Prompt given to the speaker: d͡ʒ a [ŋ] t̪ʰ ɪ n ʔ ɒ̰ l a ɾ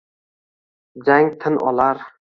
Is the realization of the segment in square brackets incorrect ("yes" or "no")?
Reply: no